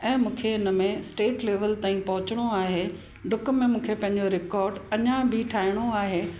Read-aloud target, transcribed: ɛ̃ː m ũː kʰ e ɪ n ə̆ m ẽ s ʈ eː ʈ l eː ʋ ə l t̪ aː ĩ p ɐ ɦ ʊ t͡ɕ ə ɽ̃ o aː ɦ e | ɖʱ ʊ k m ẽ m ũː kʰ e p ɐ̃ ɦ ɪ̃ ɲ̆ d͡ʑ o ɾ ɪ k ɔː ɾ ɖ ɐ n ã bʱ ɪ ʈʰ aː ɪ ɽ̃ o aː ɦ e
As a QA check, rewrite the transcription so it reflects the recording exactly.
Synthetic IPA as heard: ɛ̃ː m ũː kʰ e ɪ n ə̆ m ẽ s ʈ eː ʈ l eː ʋ ə l t̪ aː ĩ p ɐ ɦ ʊ t͡ɕ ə ɽ̃ o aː ɦ e | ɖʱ ʊ k m ẽ m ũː kʰ e p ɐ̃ ɦ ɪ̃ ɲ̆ d͡ʑ o ɾ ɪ k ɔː ɾ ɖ ɐ ɲ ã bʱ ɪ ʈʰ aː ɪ ɽ̃ o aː ɦ e

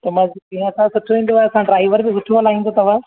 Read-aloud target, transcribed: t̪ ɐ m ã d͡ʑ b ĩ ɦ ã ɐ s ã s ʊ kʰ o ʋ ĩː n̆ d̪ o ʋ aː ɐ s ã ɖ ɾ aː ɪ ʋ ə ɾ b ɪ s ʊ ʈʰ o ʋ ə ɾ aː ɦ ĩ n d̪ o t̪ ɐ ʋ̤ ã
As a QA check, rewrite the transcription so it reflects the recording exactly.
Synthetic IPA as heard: t̪ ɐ m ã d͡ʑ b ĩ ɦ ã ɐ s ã s ʊ ʈʰ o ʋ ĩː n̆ d̪ o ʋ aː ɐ s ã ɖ ɾ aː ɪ ʋ ə ɾ b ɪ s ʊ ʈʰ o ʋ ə l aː ɦ ĩ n d̪ o t̪ ɐ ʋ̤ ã

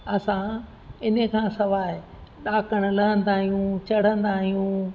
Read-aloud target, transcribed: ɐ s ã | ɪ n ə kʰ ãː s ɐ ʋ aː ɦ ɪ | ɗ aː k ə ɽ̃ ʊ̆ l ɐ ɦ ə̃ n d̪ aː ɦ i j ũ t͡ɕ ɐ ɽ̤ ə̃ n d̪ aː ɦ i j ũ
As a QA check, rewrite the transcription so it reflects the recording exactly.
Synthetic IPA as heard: ɐ s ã | ɪ n ə kʰ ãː s ɐ ʋ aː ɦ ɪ | ɗ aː k ə ɽ̃ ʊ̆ l ɐ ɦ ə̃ n d̪ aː ɦ i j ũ t͡ɕ ɐ ɽ̤ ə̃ n d̪ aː ɦ i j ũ

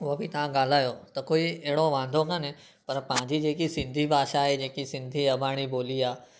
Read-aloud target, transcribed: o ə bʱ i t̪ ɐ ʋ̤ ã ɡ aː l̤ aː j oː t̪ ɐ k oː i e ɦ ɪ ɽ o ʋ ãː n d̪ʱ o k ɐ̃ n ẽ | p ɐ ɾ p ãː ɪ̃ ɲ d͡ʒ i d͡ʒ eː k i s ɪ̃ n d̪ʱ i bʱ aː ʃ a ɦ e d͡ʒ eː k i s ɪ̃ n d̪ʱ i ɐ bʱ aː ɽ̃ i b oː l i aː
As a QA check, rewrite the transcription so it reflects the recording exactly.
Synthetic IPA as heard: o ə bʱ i t̪ ɐ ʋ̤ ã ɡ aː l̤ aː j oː t̪ ɐ k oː i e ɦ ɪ ɽ o ʋ ãː n d̪ʱ o k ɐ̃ n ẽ | p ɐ ɾ p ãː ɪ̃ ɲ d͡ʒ i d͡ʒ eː k i s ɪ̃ n d̪ʱ i bʱ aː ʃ a ɦ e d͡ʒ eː k i s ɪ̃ n d̪ʱ i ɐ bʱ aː ɽ̃ i b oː l i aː

